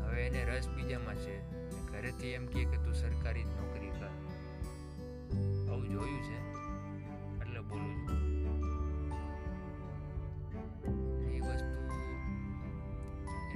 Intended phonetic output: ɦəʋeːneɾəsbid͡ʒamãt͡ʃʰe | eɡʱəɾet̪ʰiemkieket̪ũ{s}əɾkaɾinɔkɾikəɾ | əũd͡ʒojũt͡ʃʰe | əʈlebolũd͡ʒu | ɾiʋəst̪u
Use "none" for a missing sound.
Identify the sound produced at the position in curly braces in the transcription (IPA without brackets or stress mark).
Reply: s